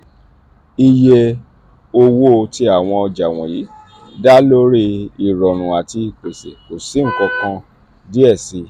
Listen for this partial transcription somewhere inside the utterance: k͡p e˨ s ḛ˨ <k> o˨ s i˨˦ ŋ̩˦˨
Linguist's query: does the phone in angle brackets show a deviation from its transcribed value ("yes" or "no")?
no